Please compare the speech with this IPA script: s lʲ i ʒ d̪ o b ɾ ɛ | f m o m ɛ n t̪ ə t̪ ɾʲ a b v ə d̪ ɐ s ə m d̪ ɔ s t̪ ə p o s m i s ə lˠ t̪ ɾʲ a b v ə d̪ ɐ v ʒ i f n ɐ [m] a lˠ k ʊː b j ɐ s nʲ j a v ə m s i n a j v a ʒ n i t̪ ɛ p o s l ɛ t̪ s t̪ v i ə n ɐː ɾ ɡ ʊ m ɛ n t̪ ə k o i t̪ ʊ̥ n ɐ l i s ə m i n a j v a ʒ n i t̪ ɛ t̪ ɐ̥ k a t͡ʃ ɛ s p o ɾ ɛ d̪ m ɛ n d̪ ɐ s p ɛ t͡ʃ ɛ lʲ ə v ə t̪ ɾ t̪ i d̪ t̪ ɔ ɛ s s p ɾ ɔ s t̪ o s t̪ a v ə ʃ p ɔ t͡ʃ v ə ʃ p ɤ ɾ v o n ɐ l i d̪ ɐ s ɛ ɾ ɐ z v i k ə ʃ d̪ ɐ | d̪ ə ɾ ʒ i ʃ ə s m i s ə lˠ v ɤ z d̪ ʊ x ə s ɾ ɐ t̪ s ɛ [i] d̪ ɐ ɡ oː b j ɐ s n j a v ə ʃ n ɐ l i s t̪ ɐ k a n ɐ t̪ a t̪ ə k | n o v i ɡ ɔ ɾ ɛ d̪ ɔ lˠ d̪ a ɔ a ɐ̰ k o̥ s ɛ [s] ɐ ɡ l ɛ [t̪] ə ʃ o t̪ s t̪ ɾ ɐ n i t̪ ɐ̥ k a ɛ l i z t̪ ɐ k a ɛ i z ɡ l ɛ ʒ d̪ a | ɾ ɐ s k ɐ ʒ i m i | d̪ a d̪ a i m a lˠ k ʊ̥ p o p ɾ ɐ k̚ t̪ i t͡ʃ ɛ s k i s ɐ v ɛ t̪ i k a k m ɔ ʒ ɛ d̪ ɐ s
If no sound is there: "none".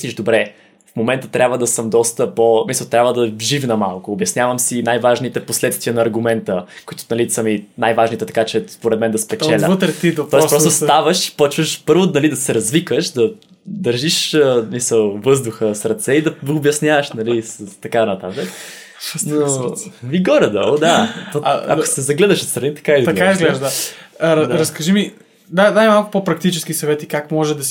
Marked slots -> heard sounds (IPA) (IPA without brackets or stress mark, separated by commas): m, i, z, d̪